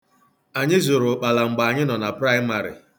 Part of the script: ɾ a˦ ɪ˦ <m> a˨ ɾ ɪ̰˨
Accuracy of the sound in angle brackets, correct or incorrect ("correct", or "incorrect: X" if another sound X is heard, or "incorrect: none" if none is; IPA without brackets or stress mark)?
correct